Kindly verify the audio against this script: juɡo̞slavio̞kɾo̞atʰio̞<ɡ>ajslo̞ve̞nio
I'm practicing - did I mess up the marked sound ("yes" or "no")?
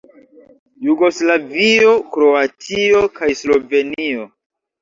yes